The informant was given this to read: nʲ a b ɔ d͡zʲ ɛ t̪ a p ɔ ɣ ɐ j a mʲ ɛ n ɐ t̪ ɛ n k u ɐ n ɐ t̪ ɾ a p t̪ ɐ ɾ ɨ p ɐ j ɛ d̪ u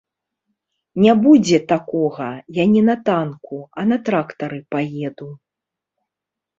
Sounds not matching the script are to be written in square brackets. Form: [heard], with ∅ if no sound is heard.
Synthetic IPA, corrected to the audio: nʲ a b [u] d͡zʲ ɛ t̪ a [k] ɔ ɣ ɐ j a [nʲ] ɛ n ɐ t̪ [a] n k u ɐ n ɐ t̪ ɾ a [k] t̪ ɐ ɾ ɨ p [a] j ɛ d̪ u